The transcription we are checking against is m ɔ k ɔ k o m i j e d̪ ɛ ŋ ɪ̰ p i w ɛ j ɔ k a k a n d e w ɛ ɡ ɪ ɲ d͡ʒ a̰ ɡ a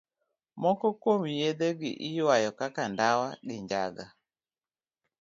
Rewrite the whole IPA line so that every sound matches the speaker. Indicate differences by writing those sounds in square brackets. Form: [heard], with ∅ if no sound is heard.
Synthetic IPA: m ɔ k ɔ k o m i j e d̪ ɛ [ɡ] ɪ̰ [ʔ] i w [a] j ɔ k a k a n d [a] w [a] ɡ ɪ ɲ d͡ʒ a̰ ɡ a